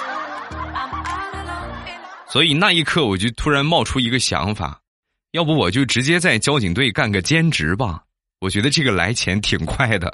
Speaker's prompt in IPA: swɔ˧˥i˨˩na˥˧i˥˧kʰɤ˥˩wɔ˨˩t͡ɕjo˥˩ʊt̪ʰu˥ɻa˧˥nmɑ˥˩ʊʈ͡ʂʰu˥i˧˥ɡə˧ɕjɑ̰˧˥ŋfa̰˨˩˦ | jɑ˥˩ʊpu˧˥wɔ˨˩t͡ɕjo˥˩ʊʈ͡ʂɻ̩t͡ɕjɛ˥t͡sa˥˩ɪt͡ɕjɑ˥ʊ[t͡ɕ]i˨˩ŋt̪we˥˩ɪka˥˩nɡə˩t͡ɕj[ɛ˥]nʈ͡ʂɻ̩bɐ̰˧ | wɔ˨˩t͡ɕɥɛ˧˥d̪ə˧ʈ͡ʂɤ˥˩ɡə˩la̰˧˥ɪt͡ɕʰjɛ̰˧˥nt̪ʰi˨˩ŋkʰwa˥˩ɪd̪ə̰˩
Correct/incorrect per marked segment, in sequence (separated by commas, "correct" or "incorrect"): correct, correct